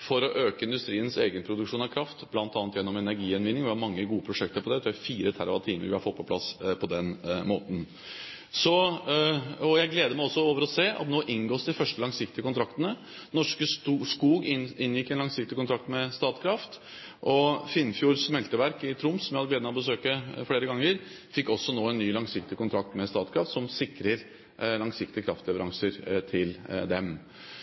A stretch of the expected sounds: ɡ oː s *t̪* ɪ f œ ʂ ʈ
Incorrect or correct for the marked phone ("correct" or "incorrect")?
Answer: incorrect